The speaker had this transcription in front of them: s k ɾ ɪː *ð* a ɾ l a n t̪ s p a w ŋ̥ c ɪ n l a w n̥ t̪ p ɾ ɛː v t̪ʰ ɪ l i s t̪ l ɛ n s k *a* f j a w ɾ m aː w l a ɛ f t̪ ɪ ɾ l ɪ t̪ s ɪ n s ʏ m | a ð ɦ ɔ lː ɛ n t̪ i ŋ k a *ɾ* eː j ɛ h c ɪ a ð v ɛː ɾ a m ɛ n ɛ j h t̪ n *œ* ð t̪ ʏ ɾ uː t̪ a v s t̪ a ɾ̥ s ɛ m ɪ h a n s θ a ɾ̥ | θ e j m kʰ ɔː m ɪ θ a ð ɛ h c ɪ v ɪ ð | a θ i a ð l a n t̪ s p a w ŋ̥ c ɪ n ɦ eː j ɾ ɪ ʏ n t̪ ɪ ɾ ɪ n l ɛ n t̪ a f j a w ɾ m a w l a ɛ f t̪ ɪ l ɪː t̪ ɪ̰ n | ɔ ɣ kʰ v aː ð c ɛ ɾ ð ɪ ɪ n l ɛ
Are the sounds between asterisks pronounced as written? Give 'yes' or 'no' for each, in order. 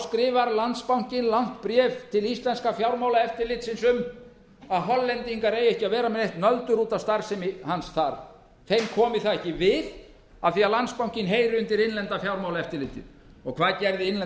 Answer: no, yes, yes, yes

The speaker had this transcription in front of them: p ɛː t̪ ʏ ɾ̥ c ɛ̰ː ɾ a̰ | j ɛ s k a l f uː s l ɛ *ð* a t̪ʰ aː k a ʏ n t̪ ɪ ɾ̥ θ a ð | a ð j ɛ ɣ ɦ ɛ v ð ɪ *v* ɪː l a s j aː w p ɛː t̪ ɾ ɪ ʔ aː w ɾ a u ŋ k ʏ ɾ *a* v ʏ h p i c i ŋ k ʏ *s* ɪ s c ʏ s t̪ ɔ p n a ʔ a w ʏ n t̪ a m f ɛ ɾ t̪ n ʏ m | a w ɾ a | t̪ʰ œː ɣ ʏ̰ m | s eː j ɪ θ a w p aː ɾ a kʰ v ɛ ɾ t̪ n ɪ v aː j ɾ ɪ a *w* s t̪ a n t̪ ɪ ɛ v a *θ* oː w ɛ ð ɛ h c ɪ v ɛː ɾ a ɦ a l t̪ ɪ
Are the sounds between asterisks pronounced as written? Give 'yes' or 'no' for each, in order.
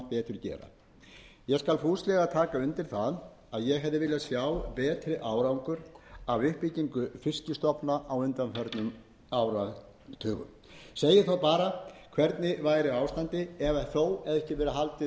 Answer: no, yes, yes, no, yes, yes

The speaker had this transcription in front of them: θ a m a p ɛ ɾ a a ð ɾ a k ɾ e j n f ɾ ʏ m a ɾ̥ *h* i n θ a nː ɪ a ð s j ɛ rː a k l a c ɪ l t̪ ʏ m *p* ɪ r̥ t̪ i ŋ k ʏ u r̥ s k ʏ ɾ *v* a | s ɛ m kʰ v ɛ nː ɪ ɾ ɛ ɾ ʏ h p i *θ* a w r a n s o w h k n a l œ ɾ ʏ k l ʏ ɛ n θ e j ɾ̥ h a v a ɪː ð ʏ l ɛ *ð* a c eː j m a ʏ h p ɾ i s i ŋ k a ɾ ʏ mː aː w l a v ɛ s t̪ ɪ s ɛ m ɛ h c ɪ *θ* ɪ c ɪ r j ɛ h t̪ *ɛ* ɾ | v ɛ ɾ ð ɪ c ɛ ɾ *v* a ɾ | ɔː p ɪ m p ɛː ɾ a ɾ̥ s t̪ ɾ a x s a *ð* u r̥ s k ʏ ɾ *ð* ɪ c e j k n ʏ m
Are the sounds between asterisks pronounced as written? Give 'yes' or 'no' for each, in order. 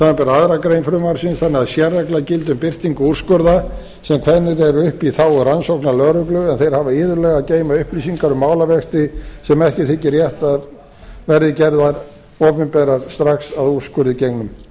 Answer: no, yes, no, yes, no, yes, no, no, yes, yes

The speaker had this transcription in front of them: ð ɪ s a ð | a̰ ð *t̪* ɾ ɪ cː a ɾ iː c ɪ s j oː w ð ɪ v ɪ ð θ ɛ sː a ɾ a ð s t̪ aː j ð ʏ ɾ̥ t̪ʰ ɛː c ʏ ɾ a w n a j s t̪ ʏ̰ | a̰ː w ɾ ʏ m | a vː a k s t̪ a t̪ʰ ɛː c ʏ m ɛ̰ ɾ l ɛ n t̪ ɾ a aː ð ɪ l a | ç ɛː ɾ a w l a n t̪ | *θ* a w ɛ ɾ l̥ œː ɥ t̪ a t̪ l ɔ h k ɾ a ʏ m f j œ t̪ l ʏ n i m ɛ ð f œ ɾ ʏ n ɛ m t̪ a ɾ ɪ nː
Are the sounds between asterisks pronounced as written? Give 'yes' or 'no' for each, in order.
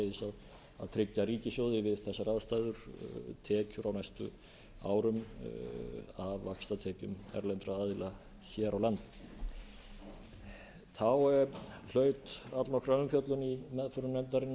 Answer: no, yes

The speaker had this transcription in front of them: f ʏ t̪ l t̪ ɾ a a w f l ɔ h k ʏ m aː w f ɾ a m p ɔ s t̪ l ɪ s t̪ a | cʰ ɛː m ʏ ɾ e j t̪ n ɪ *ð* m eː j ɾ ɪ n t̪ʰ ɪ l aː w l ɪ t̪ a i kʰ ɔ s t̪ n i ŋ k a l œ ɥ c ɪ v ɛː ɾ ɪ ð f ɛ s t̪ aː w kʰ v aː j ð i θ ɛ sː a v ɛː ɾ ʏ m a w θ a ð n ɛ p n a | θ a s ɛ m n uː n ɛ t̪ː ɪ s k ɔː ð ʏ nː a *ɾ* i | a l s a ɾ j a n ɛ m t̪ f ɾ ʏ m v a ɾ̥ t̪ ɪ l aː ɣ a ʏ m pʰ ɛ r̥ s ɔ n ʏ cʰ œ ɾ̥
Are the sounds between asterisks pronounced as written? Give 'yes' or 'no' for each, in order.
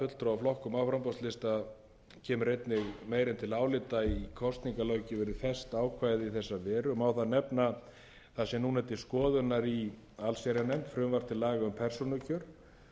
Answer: no, yes

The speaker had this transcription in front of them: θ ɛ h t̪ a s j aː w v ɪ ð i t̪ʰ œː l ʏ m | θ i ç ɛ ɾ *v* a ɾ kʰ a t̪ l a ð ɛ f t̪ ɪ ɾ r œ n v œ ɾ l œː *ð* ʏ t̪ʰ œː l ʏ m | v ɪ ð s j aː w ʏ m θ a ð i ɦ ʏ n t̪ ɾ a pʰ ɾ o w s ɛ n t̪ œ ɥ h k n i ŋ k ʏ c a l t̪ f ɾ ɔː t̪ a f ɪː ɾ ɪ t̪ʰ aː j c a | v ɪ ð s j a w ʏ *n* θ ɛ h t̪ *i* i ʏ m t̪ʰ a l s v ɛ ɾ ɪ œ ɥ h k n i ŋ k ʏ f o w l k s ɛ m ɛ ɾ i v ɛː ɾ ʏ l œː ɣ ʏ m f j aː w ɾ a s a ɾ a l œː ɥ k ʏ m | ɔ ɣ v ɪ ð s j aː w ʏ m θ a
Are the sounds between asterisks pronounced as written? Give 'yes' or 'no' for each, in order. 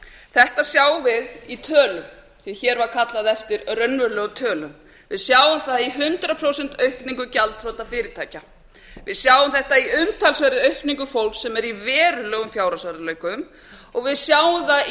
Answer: yes, no, no, no

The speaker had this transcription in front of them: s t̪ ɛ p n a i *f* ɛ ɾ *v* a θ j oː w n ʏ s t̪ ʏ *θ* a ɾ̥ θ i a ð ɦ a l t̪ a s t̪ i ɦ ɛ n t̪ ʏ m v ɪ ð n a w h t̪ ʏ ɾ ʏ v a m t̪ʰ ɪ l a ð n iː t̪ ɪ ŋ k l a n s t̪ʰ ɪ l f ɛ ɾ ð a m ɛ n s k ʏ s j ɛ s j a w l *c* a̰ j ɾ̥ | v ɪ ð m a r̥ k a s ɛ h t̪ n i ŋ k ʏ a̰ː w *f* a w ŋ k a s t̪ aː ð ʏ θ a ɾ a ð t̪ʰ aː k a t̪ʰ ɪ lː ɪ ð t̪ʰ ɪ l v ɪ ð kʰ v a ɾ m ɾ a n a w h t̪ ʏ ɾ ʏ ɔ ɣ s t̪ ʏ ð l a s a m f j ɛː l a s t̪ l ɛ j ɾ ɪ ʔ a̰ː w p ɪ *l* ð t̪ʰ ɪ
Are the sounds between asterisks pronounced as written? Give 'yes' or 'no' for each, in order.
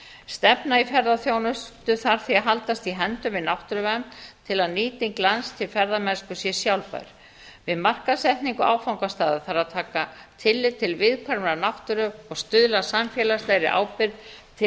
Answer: yes, no, yes, no, yes, no

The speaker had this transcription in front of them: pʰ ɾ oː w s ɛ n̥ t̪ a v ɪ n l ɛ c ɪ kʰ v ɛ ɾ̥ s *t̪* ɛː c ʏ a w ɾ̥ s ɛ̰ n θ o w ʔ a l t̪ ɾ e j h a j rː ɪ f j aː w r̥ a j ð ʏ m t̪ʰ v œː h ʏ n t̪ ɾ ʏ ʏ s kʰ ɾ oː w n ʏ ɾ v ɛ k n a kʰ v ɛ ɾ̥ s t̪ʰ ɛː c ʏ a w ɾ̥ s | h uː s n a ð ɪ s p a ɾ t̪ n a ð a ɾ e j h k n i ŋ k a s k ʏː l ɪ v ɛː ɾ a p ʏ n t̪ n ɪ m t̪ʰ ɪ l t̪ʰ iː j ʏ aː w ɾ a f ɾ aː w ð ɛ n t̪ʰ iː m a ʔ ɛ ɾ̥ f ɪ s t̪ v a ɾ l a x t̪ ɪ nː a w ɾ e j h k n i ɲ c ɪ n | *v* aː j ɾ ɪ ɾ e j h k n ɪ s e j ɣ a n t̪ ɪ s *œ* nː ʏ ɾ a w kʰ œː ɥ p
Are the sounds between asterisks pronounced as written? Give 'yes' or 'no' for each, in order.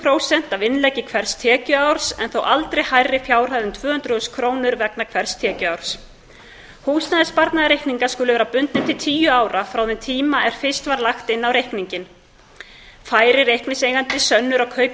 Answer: no, no, yes

